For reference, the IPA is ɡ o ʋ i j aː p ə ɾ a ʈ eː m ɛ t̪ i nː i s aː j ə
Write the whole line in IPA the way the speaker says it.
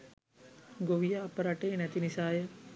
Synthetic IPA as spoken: ɡ o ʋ i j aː p ə ɾ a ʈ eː n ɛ t̪ i n i s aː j ə

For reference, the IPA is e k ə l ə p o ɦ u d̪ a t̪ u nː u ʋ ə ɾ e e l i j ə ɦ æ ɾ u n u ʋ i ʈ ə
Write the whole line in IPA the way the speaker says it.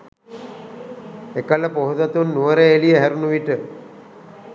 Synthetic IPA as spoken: e k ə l ə p o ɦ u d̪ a t̪ u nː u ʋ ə ɾ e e l i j ə ɦ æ ɾ u n u ʋ i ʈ ə

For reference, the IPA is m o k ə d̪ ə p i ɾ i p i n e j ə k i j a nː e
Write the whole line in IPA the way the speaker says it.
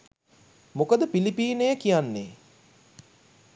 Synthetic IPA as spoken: m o k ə d̪ ə p i l i p iː n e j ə k i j a nː e

